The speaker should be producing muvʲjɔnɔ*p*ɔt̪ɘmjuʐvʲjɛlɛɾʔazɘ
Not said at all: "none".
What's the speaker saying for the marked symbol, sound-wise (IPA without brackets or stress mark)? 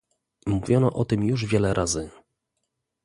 ʔ